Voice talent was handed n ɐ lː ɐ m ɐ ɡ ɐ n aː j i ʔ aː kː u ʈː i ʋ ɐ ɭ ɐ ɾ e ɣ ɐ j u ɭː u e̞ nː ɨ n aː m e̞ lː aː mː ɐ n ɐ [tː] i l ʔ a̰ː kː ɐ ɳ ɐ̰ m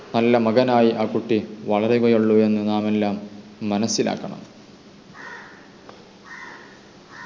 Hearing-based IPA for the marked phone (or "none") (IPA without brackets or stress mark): sː